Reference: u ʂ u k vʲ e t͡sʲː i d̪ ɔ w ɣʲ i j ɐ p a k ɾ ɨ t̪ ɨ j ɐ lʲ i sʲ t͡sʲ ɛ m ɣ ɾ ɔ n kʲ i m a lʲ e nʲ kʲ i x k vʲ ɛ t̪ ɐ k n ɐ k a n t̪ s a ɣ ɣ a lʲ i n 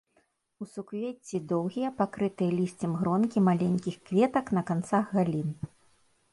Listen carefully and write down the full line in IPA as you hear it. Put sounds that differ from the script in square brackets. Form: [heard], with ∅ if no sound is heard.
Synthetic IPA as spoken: u [s] u k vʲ e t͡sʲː i d̪ ɔ w ɣʲ i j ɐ p a k ɾ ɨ t̪ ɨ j ɐ lʲ i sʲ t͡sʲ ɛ m ɣ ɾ ɔ n kʲ i m a lʲ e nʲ kʲ i x k vʲ ɛ t̪ ɐ k n ɐ k a n t̪ s a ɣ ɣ a lʲ i n